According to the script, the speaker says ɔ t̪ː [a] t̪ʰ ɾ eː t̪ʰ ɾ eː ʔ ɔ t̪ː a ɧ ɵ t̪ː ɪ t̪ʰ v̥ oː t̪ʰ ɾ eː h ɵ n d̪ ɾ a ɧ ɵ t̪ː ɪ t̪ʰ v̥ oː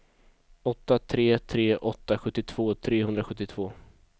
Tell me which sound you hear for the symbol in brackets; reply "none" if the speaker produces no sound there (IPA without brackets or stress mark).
a